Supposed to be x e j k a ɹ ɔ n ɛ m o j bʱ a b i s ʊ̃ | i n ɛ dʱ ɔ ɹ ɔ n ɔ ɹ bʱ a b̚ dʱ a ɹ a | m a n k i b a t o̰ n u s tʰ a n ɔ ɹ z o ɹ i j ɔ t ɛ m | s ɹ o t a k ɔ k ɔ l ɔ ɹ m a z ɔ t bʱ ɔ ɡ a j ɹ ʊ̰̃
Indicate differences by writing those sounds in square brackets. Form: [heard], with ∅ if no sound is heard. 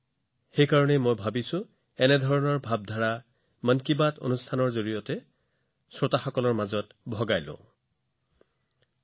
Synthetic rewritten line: x e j k a ɹ ɔ n ɛ m o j bʱ a b i s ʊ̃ | [ɛ] n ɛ dʱ ɔ ɹ ɔ n ɔ ɹ bʱ a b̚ dʱ a ɹ a | m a n k i b a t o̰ n u s tʰ a n ɔ ɹ z o ɹ i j ɔ t ɛ [∅] | s ɹ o t a [x] ɔ k ɔ l ɔ ɹ m a z ɔ t bʱ ɔ ɡ a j [l] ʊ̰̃